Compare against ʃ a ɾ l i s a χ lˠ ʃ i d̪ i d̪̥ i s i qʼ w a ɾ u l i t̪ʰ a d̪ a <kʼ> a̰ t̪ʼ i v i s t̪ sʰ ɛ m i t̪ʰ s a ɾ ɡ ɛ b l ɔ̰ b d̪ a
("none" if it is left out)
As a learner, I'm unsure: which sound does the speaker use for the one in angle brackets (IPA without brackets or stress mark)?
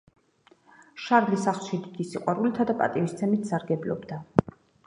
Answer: pʼ